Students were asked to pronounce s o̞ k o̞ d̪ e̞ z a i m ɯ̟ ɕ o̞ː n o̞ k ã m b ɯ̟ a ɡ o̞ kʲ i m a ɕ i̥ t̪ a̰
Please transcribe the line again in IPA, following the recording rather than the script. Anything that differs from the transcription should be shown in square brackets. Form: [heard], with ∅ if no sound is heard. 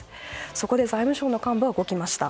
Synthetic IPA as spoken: s o̞ k o̞ d̪ e̞ z a i m ɯ̟ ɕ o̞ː n o̞ k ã m b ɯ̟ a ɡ o̞ kʲ i m a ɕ i̥ t̪ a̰